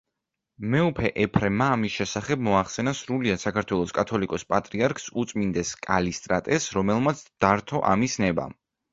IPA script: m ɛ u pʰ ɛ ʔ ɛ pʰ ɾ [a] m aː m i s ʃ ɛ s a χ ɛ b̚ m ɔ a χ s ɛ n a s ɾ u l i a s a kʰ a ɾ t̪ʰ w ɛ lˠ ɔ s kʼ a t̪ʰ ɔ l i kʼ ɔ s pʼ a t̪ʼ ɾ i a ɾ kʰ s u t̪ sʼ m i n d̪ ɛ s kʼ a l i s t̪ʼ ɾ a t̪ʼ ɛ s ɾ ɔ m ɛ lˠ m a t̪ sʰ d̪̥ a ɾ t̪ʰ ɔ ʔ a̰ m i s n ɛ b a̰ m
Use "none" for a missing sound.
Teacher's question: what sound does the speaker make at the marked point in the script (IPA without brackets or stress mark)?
ɛ